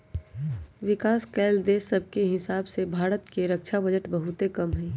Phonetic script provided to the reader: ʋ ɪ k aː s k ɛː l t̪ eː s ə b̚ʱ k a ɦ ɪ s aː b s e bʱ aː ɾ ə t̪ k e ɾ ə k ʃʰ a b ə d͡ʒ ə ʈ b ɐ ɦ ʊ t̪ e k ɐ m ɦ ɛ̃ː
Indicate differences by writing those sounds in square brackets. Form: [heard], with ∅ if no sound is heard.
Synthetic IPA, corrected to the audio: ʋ ɪ k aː s k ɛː l [d̪] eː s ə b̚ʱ k [e] ɦ ɪ s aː b s e bʱ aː ɾ ə t̪ k e ɾ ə k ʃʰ a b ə d͡ʒ ə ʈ b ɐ ɦ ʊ t̪ e k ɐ m ɦ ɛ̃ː